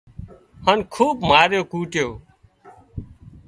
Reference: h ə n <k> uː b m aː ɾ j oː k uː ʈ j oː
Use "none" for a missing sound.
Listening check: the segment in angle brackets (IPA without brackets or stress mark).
kʰ